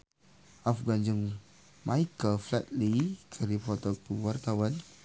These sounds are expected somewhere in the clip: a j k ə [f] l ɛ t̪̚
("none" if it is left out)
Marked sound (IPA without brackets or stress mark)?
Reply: f